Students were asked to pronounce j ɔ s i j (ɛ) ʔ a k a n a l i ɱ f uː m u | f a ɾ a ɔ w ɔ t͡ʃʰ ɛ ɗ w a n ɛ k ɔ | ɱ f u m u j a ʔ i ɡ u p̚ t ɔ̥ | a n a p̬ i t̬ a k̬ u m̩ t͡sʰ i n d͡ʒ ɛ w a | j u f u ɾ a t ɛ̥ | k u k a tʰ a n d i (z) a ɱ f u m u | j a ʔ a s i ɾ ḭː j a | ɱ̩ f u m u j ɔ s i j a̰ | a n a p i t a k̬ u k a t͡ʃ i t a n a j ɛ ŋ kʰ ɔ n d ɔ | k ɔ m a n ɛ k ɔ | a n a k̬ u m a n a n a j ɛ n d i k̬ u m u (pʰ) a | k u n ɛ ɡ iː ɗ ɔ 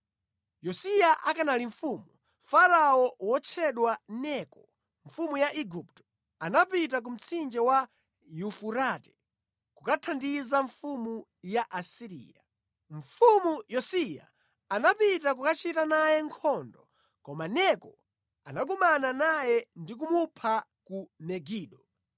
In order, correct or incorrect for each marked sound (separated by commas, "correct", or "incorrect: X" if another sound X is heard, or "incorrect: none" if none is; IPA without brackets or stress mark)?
incorrect: a, correct, correct